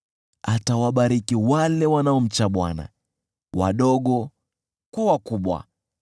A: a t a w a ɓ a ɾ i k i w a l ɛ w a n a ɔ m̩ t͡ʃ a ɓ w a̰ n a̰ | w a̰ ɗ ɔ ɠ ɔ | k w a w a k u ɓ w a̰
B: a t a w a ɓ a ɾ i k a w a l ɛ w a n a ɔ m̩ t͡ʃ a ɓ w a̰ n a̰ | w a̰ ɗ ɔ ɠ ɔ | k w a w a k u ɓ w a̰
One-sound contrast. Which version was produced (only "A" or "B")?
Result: A